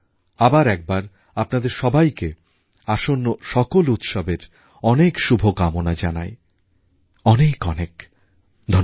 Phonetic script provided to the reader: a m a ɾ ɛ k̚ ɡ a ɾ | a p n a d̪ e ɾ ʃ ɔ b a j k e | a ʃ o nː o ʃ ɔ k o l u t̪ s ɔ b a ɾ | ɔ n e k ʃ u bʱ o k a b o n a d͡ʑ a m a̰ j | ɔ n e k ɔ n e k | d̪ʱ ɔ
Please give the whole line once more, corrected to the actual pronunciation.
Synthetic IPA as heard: a b a ɾ ɛ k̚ b a ɾ | a p n a d̪ e ɾ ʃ ɔ b a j k e | a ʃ o nː o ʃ ɔ k o l u t̪ ʃ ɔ b e ɾ | ɔ n e k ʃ u bʱ o k a m o n a d͡ʑ a n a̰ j | ɔ n e k ɔ n e k | d̪ʱ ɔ